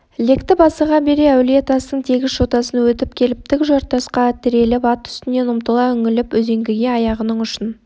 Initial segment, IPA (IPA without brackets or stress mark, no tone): l